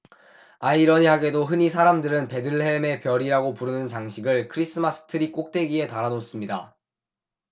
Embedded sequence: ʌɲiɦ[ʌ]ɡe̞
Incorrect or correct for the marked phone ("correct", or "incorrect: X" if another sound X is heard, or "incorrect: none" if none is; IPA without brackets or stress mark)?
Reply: incorrect: a